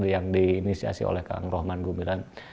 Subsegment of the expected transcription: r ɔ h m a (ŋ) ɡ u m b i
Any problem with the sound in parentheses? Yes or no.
yes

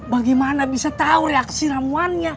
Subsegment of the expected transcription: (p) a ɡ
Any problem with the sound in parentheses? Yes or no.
yes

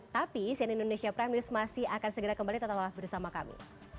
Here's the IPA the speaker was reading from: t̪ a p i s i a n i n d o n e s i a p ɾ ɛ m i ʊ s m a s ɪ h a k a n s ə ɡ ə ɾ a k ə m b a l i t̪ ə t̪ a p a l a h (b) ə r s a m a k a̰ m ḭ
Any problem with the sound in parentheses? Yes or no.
no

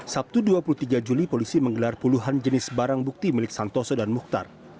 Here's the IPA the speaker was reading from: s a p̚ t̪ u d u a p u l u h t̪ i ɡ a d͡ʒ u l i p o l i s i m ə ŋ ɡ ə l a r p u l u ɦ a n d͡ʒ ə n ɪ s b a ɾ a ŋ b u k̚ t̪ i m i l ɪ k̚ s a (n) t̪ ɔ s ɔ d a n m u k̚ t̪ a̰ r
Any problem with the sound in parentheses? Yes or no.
no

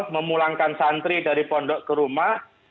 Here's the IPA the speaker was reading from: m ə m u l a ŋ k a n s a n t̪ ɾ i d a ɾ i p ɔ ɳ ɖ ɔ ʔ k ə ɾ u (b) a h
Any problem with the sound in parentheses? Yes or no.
yes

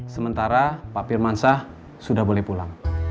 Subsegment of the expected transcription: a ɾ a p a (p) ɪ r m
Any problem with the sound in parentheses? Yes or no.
no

